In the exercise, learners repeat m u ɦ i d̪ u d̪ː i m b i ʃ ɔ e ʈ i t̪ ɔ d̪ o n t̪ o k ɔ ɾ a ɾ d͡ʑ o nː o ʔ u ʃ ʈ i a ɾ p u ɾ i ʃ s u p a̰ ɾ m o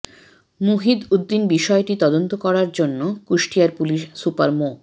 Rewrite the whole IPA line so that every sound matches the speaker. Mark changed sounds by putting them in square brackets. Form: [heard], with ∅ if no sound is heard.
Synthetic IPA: m u ɦ i d̪ u d̪ː i [n] b i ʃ ɔ e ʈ i t̪ ɔ d̪ o n t̪ o k ɔ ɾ a ɾ d͡ʑ o nː o [k] u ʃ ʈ i a ɾ p u [l] i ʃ s u p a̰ ɾ m o